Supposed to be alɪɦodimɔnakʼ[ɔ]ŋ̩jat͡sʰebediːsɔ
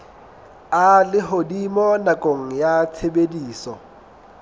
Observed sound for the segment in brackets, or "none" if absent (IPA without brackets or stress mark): o